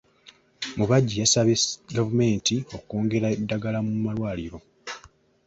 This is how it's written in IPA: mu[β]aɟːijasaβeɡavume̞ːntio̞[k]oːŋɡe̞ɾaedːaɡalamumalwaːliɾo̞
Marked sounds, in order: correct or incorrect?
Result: correct, correct

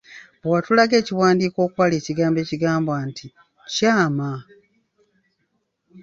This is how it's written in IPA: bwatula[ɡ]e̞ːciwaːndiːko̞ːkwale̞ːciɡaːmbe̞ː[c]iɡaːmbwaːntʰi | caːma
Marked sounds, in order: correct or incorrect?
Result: correct, correct

